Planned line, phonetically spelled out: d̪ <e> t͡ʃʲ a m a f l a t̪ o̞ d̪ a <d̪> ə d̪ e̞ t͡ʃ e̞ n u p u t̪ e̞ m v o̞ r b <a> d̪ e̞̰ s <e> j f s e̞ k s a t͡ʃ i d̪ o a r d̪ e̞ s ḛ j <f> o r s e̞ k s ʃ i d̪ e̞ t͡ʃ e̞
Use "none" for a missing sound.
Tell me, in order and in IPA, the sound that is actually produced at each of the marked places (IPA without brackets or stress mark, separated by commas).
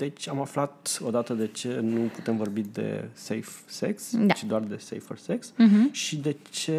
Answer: e, t̪, i, e, f